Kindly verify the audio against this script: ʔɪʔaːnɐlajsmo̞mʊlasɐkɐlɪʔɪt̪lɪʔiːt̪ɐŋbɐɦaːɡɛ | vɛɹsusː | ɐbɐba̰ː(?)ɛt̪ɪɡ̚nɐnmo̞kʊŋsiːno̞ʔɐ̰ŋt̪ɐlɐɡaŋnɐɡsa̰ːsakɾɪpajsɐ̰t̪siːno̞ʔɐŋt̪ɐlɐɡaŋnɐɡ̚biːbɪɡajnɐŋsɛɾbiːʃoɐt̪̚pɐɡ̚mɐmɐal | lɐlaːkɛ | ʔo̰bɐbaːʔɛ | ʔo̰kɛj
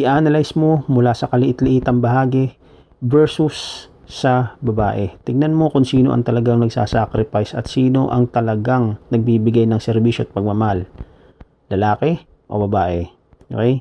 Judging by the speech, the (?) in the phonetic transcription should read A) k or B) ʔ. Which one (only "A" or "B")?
B